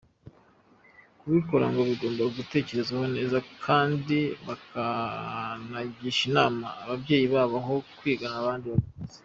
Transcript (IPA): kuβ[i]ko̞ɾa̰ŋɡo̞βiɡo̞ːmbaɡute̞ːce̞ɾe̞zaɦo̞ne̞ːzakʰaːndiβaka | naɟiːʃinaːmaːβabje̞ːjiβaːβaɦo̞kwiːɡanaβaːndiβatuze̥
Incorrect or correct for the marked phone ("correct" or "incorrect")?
correct